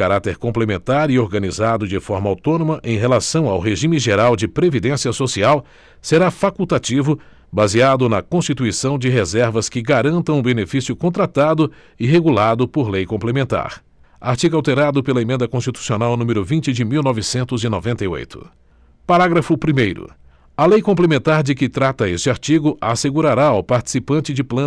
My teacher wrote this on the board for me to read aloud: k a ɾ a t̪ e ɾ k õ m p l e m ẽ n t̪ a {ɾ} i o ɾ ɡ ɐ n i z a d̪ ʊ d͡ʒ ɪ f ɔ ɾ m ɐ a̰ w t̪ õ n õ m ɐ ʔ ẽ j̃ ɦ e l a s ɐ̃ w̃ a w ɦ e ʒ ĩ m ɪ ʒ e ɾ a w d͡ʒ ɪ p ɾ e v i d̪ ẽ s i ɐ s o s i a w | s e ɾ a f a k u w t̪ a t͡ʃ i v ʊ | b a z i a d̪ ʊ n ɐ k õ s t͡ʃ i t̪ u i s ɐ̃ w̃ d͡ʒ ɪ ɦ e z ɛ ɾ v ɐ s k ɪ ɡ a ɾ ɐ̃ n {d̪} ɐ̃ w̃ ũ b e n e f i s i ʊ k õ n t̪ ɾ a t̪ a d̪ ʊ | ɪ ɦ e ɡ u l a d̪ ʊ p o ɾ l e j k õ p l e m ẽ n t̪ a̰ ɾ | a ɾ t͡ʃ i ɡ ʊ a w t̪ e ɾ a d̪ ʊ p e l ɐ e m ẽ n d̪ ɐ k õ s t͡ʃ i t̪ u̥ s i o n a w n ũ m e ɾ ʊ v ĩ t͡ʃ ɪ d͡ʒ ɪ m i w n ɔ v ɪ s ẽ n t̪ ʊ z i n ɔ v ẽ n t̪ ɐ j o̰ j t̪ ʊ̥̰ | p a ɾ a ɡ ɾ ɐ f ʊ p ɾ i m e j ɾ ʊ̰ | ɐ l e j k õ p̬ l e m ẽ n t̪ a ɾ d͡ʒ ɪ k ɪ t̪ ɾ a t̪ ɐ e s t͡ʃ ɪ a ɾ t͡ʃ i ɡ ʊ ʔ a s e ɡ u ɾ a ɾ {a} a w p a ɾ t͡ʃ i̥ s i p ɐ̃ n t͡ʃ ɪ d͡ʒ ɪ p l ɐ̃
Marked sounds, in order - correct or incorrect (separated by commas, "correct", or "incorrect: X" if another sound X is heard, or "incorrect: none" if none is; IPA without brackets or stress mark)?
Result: correct, incorrect: t̪, correct